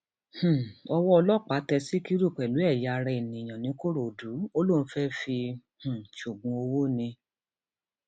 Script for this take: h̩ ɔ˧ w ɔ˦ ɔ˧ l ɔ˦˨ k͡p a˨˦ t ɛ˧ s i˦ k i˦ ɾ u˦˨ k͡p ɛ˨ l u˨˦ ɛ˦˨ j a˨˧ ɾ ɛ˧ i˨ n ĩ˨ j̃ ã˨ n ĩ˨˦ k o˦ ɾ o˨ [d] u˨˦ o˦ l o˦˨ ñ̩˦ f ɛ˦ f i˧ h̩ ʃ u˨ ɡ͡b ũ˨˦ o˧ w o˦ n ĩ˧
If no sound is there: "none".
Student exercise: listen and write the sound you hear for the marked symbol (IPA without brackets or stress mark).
d